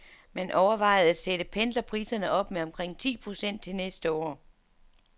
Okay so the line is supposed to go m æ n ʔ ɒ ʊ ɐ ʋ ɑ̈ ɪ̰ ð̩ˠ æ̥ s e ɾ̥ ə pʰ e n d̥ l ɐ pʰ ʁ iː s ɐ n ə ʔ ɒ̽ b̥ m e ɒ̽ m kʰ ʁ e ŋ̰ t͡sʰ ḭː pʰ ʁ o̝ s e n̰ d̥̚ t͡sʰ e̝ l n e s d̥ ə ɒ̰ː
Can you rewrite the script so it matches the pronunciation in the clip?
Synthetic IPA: m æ n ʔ ɒ ʊ ɐ ʋ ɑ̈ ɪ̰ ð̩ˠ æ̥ s e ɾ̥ ə pʰ e n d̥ l ɐ pʰ ʁ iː s ɐ n ə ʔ ɒ̽ b̥ m e ɒ̽ m kʰ ʁ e ŋ̰ t͡sʰ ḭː pʰ ʁ o̝ s e n̰ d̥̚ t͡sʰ e̝ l n e s d̥ ə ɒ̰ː